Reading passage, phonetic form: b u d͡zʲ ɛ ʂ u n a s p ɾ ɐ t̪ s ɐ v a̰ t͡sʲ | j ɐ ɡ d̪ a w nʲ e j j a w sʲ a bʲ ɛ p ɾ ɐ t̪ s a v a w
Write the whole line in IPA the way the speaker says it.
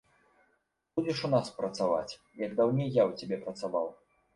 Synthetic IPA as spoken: b u d͡zʲ ɛ ʂ u n a s p ɾ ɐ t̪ s a v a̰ t͡sʲ | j ɐ ɡ d̪ a w nʲ e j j a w t͡sʲ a bʲ ɛ p ɾ ɐ t̪ s a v a w